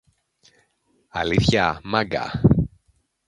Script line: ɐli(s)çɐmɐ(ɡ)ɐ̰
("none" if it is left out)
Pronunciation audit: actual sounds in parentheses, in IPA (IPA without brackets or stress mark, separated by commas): θ, ɡ